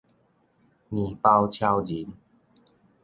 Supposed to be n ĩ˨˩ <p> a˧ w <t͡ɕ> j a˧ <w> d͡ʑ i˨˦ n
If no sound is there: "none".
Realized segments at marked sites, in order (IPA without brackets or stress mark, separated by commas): p, t͡ɕʰ, w